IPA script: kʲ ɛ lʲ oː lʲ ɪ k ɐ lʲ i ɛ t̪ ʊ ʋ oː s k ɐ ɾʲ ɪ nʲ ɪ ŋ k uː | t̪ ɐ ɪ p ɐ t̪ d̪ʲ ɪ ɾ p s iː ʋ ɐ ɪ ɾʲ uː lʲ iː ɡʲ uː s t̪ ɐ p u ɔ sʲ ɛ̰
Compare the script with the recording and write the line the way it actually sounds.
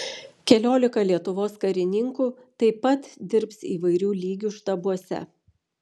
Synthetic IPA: kʲ ɛ lʲ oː lʲ ɪ k ɐ lʲ i ɛ t̪ ʊ ʋ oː s k ɐ ɾʲ ɪ nʲ ɪ ŋ k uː | t̪ ɐ ɪ p ɐ t̪ d̪ʲ ɪ ɾ p s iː ʋ ɐ ɪ ɾʲ uː lʲ iː ɡʲ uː ʃ t̪ ɐ b u ɔ sʲ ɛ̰

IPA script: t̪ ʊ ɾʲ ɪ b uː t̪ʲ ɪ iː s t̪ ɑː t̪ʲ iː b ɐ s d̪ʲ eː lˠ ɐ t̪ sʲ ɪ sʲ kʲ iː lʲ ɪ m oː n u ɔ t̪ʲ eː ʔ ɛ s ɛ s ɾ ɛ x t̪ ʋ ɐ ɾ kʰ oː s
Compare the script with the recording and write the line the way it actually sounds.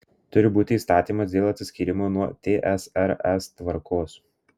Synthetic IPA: t̪ ʊ ɾʲ ɪ b uː t̪ʲ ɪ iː s t̪ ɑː t̪ʲ iː m ɐ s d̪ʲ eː lˠ ɐ t̪ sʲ ɪ sʲ kʲ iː ɾʲ ɪ m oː n u ɔ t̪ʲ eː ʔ ɛ s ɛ ɾ ɛ s t̪ ʋ ɐ ɾ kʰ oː s

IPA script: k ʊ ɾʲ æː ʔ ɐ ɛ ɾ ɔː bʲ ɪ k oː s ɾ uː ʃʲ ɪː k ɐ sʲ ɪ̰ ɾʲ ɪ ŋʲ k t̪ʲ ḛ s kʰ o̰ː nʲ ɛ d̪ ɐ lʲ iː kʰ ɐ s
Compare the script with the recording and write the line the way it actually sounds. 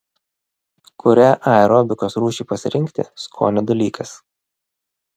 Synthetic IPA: k ʊ ɾʲ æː ʔ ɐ ɛ ɾ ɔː bʲ ɪ k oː s ɾ uː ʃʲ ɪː p ɐ sʲ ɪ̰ ɾʲ ɪ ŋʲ k t̪ʲ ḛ s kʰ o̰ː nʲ ɛ d̪ ɐ lʲ iː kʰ ɐ s

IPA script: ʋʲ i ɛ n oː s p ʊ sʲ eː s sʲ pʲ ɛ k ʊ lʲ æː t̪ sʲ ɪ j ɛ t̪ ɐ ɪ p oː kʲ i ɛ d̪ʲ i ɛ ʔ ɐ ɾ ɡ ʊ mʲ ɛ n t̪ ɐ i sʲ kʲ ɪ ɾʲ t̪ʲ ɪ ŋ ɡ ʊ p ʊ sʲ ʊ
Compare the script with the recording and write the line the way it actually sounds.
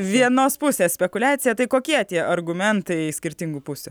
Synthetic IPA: ʋʲ i ɛ n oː s p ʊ sʲ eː s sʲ pʲ ɛ k ʊ lʲ æː t̪ sʲ ɪ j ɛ t̪ ɐ ɪ k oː kʲ i ɛ t̪ʲ i ɛ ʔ ɐ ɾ ɡ ʊ mʲ ɛ n t̪ ɐ ɪ sʲ kʲ ɪ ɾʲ t̪ʲ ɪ ŋ ɡ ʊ p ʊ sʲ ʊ

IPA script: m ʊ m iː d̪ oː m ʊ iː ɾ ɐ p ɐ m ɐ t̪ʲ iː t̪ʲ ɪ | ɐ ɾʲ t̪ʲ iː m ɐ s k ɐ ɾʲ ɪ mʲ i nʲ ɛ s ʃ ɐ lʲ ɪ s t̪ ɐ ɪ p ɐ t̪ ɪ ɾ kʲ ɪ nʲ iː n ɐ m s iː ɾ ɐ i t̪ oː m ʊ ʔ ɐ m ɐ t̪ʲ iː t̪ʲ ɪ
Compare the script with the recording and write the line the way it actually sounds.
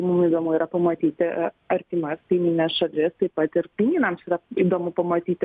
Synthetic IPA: m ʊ m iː d̪ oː m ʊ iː ɾ ɐ p ɐ m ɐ t̪ʲ iː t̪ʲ ɪ | ɐ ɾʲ t̪ʲ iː m ɐ s k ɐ ɪ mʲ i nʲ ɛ s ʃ ɐ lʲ ɪ s t̪ ɐ ɪ p ɐ t̪ ɪ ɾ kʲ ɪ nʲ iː n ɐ m s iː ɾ ɐ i d̪ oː m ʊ p ɐ m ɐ t̪ʲ iː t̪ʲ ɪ

